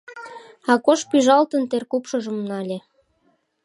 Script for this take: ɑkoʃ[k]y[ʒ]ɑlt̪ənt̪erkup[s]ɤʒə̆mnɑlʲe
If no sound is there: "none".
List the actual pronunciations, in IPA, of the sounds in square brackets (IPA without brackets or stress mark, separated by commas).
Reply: p, ʒ, ʃ